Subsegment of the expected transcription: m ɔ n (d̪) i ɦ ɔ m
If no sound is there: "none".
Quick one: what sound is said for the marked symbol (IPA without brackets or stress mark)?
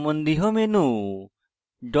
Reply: d̪